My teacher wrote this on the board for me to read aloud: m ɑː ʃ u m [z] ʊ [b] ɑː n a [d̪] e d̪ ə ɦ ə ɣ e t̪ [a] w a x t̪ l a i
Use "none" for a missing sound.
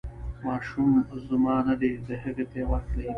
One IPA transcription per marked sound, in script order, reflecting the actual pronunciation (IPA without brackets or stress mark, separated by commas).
z, m, d̪, e